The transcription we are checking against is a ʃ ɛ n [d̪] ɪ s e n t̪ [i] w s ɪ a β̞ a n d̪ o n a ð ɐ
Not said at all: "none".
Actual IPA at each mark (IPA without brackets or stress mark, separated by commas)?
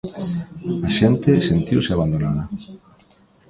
t̪, i